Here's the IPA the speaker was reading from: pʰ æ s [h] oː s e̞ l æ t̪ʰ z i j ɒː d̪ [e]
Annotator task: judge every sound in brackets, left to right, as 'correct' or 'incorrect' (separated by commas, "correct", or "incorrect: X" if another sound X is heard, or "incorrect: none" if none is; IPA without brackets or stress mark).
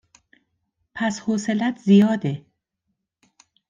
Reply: correct, correct